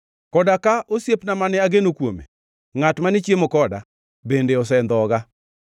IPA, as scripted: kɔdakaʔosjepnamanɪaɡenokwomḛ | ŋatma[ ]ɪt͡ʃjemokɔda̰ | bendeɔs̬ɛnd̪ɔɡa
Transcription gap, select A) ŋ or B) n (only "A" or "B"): B